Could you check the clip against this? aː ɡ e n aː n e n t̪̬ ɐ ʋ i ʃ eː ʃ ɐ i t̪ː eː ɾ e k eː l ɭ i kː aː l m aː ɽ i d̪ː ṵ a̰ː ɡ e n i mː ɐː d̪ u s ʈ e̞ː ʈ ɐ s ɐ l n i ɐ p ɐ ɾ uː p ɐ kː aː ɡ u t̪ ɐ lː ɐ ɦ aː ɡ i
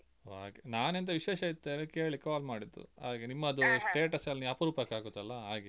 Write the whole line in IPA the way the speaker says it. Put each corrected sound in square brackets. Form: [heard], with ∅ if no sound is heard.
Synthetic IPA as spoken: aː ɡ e n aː n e n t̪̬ ɐ ʋ i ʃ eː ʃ ɐ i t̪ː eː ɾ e k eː [ɭ] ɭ i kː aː l m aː ɽ i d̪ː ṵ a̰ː ɡ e n i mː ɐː d̪ u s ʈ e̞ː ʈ ɐ s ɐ l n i ɐ p ɐ ɾ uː p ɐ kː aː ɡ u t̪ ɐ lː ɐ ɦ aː ɡ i